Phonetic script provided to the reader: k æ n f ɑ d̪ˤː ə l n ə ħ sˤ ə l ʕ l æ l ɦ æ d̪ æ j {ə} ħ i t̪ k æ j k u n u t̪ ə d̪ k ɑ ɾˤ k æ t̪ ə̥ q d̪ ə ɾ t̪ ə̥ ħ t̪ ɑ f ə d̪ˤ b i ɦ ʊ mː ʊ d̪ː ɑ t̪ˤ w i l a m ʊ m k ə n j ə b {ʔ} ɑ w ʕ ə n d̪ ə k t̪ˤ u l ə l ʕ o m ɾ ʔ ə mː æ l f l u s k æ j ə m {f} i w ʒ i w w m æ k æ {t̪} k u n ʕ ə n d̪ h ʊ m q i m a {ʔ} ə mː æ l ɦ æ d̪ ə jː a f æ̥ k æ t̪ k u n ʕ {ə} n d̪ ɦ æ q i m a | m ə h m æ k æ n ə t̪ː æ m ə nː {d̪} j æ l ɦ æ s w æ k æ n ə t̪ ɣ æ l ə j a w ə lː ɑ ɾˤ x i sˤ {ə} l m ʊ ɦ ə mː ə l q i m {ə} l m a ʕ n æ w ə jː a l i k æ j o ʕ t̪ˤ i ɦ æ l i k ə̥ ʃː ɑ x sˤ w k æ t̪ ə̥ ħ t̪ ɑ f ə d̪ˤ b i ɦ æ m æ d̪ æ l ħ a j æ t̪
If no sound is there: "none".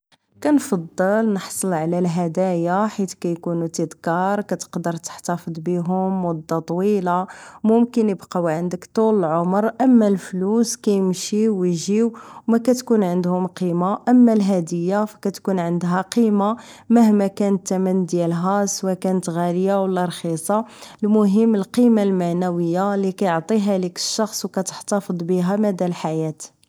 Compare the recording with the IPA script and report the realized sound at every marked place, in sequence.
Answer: a, q, ʃ, t̪, ʔ, ə, d̪, ɑ, a

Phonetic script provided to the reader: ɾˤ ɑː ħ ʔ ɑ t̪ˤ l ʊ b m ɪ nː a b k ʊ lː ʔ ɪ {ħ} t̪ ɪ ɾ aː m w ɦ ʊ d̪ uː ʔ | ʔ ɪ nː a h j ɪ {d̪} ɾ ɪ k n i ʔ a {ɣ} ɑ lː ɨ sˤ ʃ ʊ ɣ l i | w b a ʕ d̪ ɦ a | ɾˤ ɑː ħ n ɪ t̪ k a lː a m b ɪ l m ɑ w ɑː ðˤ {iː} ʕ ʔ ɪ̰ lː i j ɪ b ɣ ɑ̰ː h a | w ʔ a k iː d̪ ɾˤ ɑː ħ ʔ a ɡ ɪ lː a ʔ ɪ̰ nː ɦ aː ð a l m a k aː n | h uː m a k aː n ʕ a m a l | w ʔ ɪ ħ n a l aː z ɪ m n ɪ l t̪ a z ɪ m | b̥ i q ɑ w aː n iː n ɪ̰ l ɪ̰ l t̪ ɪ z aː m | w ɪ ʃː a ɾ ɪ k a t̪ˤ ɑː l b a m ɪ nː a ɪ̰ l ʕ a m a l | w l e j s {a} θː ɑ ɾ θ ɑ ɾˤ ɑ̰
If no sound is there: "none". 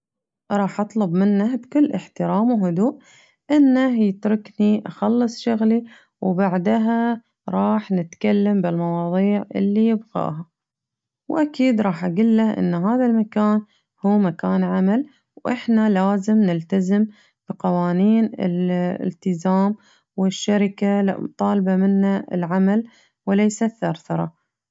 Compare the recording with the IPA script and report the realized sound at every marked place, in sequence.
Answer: ħ, t̪, x, iː, a

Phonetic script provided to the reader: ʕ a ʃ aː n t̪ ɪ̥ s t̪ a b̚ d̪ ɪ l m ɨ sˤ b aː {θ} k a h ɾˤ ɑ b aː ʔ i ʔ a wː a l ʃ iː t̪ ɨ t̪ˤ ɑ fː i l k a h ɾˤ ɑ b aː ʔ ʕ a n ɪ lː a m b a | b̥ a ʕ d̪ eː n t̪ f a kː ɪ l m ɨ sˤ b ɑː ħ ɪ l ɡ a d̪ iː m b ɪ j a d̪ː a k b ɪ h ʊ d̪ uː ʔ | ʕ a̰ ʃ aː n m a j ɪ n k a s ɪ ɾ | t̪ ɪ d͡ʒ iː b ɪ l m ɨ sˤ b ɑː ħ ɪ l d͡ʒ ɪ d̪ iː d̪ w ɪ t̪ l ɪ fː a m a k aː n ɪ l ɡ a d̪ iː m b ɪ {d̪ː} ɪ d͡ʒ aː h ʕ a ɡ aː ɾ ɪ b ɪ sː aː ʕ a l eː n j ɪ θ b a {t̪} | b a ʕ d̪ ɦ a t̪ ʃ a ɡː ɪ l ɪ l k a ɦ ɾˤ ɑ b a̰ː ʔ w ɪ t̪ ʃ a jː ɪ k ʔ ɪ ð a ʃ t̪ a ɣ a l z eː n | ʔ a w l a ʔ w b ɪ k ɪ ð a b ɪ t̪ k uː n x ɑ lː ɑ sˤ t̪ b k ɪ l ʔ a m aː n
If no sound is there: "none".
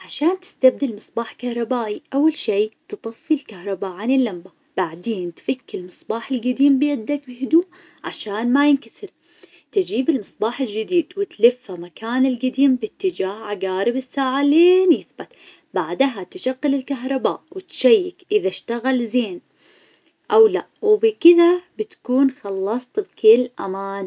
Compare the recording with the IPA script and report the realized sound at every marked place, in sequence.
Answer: ħ, t̪ː, t̪

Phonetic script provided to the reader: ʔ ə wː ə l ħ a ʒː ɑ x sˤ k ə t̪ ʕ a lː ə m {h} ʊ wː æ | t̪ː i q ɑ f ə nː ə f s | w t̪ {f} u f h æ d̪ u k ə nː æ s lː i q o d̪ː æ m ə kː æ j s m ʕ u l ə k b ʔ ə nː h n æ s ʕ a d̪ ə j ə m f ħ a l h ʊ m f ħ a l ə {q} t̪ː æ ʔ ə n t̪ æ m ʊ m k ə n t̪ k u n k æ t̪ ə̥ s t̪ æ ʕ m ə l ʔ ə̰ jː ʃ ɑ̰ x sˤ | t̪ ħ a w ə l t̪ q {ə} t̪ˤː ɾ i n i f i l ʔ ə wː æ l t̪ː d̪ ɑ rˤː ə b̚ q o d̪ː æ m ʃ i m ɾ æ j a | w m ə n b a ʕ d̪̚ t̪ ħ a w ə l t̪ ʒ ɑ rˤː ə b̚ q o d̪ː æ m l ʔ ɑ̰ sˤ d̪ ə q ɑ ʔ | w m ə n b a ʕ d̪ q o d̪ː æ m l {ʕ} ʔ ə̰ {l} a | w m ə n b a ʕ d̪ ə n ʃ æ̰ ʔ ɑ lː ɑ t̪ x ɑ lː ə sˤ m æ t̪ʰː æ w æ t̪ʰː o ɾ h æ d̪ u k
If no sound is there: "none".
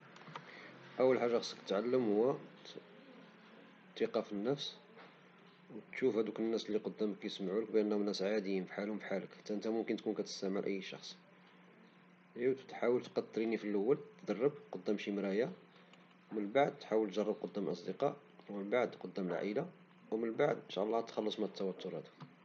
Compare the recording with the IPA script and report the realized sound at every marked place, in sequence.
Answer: h, ʃ, k, ɑ, ʕ, l

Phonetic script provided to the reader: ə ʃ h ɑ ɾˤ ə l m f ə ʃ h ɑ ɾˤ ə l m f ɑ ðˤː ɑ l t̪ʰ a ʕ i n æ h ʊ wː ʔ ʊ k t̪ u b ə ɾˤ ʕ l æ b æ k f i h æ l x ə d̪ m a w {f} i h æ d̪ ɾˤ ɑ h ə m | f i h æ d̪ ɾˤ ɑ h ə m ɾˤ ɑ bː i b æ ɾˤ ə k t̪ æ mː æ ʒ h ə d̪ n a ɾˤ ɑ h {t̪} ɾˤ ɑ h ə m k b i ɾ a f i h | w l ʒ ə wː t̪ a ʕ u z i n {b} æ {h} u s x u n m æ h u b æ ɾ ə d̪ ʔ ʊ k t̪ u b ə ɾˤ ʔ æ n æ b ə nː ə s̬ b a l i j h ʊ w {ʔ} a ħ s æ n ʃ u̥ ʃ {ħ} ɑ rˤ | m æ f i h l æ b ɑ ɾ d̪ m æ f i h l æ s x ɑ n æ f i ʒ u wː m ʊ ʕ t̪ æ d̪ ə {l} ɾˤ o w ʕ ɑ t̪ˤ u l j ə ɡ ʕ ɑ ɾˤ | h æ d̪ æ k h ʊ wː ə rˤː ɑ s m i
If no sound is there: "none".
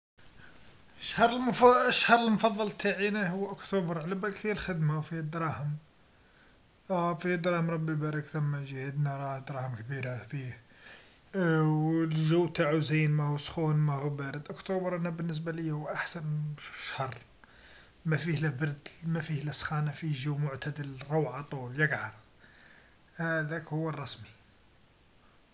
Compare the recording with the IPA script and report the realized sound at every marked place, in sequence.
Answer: f, d̪, m, h, ʔ, h, l

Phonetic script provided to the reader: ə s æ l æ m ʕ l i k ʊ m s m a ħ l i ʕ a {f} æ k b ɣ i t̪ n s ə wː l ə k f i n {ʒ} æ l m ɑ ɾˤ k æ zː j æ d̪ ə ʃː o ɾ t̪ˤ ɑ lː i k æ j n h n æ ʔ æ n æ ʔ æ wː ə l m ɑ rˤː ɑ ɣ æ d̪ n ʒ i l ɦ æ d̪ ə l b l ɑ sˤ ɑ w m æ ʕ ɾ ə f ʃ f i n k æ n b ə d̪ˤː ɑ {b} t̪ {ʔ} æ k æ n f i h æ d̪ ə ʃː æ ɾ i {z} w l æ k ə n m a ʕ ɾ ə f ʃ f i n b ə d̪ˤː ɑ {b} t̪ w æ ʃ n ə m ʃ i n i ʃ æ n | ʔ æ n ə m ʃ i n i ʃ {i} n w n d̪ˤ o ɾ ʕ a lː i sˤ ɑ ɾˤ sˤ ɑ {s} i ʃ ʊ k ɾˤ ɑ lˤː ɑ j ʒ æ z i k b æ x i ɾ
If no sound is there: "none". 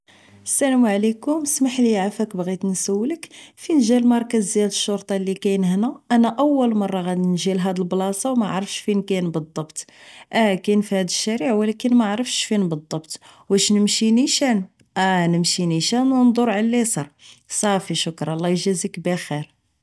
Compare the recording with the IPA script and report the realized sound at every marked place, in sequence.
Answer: f, ʒ, b, ʔ, ʕ, b, æ, f

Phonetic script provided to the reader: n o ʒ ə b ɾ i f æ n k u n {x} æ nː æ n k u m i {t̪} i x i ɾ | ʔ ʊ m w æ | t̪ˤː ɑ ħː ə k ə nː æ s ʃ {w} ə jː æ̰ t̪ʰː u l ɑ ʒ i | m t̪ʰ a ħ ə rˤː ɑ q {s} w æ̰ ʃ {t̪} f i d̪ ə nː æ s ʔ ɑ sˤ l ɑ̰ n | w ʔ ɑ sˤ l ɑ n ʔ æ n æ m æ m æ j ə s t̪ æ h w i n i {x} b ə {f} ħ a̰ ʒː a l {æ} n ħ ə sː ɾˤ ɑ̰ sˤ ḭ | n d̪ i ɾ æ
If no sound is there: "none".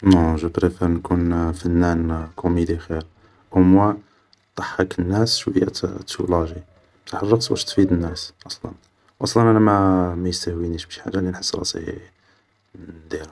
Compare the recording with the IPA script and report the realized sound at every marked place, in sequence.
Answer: f, d̪, w, s, t̪, ʃ, ʃ, i

